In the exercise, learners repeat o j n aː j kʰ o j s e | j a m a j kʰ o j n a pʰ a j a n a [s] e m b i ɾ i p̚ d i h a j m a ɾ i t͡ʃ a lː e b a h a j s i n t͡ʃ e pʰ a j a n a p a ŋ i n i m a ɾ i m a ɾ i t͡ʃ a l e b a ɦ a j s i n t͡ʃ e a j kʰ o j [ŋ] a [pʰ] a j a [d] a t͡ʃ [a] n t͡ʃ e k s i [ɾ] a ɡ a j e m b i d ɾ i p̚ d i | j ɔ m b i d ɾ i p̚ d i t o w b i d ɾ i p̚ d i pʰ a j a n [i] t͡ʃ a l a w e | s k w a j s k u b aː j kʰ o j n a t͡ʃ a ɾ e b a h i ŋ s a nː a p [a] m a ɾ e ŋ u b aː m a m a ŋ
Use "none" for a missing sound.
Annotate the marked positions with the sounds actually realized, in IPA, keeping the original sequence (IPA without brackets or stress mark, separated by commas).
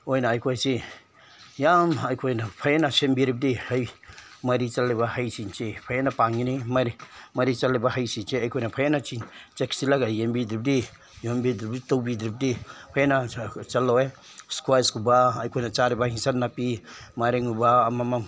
s, n, pʰ, n, i, l, a, i